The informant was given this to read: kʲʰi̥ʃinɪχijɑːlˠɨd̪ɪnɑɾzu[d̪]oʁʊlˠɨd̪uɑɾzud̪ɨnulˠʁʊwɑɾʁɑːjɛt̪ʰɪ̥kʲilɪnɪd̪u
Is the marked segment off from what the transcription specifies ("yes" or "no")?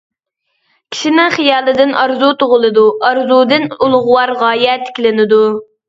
yes